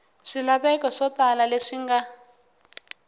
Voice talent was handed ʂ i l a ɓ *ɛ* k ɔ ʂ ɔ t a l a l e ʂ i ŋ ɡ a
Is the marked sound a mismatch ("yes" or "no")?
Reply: no